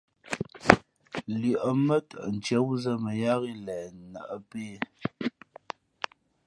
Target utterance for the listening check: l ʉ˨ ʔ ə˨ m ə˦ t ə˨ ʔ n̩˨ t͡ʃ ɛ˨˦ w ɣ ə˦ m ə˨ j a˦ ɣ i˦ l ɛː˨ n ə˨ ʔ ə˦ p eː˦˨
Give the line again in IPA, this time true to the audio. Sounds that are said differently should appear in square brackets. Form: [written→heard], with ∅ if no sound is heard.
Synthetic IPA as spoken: l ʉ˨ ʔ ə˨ m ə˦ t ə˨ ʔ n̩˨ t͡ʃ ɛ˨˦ w [ɣ→z] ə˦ m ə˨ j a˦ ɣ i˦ l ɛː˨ n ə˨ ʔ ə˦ p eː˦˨

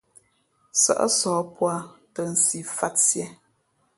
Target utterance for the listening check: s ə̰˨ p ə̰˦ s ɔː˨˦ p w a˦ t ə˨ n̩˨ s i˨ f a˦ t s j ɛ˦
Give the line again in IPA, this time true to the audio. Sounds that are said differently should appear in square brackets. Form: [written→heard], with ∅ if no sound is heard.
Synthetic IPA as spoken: s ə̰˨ [p→ʔ] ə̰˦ s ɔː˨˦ p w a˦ t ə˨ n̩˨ s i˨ f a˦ t s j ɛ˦

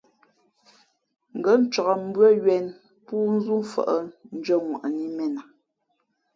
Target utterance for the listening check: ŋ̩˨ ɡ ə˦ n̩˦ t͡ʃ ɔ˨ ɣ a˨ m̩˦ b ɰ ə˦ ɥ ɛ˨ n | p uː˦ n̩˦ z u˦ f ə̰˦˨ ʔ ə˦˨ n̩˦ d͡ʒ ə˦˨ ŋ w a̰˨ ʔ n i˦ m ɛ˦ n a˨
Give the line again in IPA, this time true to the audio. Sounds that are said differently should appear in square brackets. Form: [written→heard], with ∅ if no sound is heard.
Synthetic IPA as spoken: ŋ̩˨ ɡ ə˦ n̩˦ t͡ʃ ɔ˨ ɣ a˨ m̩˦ b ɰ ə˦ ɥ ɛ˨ n | p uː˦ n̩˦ z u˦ f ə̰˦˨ ʔ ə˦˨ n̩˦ d͡ʒ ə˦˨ ŋ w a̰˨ ʔ n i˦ m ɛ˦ n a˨

